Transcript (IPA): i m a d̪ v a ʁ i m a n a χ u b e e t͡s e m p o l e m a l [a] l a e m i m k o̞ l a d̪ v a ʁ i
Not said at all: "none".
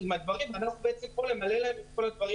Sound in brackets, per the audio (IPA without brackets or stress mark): e